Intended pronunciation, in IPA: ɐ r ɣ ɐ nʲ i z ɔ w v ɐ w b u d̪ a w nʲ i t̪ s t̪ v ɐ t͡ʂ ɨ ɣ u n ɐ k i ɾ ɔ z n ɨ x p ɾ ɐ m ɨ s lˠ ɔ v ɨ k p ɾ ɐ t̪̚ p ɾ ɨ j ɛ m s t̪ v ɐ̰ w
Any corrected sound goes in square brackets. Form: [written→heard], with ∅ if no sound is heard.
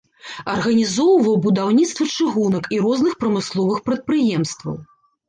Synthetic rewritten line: ɐ r ɣ ɐ nʲ i z ɔ w v ɐ w b u d̪ a w nʲ i t̪ s t̪ v ɐ t͡ʂ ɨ ɣ u n ɐ k i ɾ ɔ z n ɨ x p ɾ ɐ m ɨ s lˠ ɔ v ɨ [k→x] p ɾ ɐ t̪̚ p ɾ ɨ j ɛ m s t̪ v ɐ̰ w